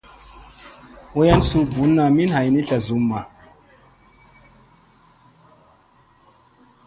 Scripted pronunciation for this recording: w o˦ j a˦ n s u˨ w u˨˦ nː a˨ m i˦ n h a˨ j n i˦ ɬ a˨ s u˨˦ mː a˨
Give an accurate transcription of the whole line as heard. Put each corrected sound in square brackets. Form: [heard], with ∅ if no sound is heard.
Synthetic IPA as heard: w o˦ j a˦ n s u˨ [b] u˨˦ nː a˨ m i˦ n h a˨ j n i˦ ɬ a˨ [z] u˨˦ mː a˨